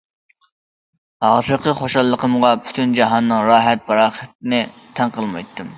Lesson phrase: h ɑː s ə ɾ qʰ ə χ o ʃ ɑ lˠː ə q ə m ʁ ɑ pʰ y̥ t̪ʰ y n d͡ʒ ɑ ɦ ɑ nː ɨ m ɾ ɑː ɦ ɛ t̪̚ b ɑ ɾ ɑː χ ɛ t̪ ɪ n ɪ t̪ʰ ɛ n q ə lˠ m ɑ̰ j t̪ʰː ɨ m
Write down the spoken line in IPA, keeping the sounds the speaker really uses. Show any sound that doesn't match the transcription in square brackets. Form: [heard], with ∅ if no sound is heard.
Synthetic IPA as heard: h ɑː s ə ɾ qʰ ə χ o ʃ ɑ lˠː ə q ə m ʁ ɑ pʰ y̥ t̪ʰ y n d͡ʒ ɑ ɦ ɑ nː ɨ [ŋ] ɾ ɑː ɦ ɛ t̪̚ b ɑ ɾ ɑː χ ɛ t̪ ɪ n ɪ t̪ʰ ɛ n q ə lˠ m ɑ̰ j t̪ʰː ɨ m